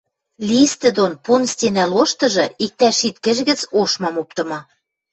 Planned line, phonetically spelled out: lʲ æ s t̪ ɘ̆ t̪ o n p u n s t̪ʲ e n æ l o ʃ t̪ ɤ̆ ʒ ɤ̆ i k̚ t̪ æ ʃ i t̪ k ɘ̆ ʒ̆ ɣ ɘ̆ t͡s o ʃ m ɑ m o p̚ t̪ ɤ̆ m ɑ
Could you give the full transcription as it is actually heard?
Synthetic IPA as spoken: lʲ i s t̪ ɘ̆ d̪ o n p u n s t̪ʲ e n æ l o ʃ t̪ ɤ̆ ʒ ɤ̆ i k̚ t̪ æ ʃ i t̪ k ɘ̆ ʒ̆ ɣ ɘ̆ t͡s o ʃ m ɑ m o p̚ t̪ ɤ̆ m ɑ